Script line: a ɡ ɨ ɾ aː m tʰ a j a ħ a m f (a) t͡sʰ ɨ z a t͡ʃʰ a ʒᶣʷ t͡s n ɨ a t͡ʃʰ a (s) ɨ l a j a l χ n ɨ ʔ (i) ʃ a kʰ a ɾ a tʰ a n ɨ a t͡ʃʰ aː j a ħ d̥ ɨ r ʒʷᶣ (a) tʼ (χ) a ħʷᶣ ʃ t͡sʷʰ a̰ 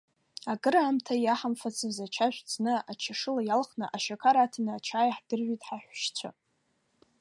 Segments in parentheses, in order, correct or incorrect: correct, incorrect, incorrect, incorrect, incorrect

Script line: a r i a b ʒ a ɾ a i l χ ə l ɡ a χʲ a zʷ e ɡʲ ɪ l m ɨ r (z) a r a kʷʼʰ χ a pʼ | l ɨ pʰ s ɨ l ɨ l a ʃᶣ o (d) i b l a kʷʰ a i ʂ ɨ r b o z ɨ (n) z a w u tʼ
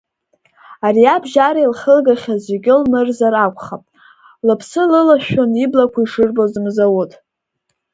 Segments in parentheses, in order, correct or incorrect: correct, incorrect, incorrect

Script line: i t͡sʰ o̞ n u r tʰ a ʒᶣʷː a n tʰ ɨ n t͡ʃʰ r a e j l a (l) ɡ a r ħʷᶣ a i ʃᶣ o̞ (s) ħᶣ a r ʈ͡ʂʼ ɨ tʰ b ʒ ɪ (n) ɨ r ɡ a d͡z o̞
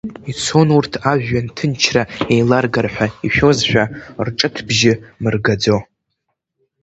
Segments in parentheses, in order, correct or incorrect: incorrect, incorrect, incorrect

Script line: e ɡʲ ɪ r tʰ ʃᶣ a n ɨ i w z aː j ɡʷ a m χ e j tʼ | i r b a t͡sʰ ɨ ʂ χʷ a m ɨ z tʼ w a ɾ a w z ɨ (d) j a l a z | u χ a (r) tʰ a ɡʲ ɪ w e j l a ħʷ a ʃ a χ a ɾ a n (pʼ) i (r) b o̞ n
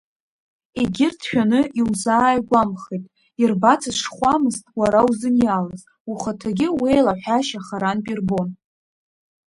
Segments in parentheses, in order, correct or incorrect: incorrect, incorrect, correct, correct

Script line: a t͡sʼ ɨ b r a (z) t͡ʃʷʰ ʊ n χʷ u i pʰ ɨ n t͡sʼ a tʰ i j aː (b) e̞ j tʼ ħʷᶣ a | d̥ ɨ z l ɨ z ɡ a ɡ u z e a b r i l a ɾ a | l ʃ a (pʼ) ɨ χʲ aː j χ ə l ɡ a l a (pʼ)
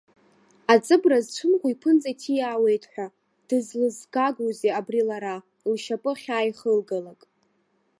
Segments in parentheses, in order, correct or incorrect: correct, incorrect, correct, incorrect

